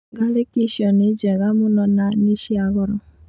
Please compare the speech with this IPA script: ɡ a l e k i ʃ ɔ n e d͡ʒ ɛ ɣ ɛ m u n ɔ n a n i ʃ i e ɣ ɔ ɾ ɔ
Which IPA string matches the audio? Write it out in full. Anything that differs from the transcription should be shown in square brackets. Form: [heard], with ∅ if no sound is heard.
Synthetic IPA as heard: ɡ a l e k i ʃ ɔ n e d͡ʒ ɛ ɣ [a] m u n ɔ n a n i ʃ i [a] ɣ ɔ ɾ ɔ

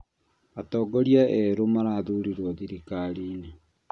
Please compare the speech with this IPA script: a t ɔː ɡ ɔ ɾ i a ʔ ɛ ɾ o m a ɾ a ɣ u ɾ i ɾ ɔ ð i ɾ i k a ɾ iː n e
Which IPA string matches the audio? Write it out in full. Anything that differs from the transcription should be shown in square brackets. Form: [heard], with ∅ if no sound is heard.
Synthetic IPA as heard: a t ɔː ɡ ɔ ɾ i a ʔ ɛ ɾ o m a ɾ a [ð] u ɾ i ɾ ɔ ð i ɾ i k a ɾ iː n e

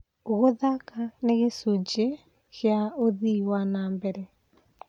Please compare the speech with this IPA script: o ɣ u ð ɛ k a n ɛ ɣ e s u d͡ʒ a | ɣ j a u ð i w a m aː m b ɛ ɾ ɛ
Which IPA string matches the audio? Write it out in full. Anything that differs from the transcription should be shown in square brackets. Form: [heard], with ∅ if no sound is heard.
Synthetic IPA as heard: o ɣ [o] ð [a] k a n [e] ɣ e s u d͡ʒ [e] | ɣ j a [o] ð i w a [n] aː m b ɛ ɾ ɛ

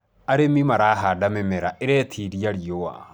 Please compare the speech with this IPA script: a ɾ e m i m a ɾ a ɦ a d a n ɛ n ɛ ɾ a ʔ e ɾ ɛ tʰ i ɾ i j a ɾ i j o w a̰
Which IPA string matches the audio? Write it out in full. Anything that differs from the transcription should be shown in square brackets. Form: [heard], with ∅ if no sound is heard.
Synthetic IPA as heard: a ɾ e m i m a ɾ a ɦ a d a [m] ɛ [m] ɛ ɾ a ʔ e ɾ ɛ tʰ i ɾ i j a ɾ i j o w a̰

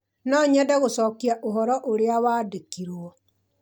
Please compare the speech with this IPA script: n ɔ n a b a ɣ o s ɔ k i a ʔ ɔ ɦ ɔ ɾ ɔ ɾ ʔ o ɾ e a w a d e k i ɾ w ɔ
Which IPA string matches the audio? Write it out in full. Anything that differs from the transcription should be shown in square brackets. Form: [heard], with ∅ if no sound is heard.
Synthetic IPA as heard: n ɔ [ɲ] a [d] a ɣ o s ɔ k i a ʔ [o] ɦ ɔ ɾ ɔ [∅] ʔ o ɾ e a w a d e k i ɾ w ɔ

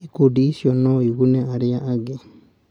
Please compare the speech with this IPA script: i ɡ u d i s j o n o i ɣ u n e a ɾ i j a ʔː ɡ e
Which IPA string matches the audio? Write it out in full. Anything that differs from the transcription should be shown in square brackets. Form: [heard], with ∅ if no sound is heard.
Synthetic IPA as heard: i [k] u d i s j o n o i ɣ u n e a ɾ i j a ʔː ɡ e

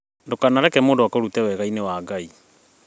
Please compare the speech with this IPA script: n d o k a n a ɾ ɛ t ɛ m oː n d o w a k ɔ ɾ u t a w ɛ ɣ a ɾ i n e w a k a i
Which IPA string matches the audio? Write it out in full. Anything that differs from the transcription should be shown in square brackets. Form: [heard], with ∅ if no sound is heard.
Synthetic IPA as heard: n d o k a n a ɾ ɛ [k] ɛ m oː n d o w a k [o] ɾ u t [ɛ] w ɛ ɣ a [∅] i n e w a [ɡ] a i

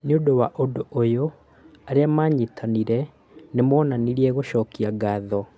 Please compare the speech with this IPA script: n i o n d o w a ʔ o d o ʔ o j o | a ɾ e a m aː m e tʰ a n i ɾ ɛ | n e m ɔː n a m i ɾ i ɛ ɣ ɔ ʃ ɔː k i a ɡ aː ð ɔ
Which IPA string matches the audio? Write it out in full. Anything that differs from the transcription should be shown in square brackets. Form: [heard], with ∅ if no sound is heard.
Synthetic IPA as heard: n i o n d o w a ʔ o d o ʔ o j o | a ɾ e a m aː [ɲ] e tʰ a n i ɾ ɛ | n e m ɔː n a [n] i ɾ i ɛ ɣ [o] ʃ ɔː k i a ɡ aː ð ɔ

